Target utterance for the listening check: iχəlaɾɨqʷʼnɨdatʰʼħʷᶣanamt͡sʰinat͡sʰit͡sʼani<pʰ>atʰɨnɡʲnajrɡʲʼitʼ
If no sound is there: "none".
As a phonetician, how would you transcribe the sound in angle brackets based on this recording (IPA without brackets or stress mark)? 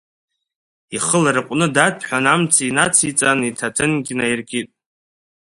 tʰ